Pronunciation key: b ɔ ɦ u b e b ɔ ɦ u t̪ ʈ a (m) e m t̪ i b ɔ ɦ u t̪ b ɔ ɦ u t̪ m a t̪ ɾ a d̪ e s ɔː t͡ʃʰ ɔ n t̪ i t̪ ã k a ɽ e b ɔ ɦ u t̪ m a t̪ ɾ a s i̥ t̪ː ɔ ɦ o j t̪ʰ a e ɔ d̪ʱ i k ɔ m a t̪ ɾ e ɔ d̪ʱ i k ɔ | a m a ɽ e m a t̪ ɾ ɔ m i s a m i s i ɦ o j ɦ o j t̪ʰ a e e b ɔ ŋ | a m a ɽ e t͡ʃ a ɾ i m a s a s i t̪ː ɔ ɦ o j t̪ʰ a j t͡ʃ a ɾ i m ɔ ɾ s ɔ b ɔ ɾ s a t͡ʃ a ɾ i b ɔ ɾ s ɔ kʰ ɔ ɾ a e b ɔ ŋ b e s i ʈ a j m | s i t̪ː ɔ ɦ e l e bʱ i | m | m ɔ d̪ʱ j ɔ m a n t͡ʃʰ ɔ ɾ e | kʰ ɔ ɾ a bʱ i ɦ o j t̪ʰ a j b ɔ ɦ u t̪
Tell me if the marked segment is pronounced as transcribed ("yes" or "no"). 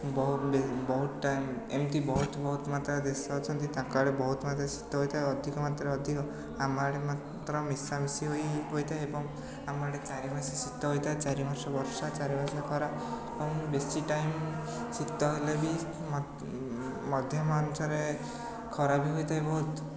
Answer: yes